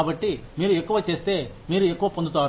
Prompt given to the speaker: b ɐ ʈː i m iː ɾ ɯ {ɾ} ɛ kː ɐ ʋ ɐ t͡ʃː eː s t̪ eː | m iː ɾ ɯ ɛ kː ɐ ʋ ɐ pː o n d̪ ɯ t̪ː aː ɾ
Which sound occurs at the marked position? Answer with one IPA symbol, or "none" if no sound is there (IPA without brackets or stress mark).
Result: none